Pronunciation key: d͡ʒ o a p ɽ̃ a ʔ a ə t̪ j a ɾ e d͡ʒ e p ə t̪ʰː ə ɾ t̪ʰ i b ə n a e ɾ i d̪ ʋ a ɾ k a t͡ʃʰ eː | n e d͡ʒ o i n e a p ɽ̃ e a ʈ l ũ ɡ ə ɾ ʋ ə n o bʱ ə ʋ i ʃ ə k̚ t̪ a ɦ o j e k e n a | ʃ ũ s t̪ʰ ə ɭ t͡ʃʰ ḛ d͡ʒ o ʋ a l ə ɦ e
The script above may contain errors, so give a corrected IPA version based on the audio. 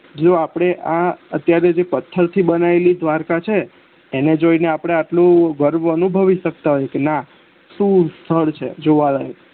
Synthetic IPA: d͡ʒ o a p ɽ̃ e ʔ a ə t̪ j a ɾ e d͡ʒ e p ə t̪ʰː ə ɾ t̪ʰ i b ə n a e l i d̪ ʋ a ɾ k a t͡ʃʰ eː | n e d͡ʒ o i n e a p ɽ̃ e a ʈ l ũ ɡ ə ɾ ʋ ə n u bʱ ə ʋ i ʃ ə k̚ t̪ a ɦ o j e k e n a | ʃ ũ s t̪ʰ ə ɭ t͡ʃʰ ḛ d͡ʒ o ʋ a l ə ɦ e